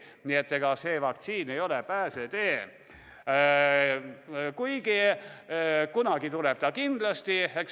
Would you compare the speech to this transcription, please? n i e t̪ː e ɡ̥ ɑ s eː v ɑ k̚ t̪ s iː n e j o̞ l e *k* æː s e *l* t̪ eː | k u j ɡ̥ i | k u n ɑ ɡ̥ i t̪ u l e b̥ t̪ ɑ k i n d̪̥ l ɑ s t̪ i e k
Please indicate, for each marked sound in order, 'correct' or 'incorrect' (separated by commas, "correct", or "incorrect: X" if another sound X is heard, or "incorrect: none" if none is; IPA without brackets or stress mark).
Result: incorrect: p, incorrect: none